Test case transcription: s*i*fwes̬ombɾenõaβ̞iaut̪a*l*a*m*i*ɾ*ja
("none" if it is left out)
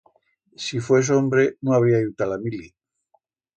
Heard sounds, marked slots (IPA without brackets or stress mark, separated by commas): i, l, m, l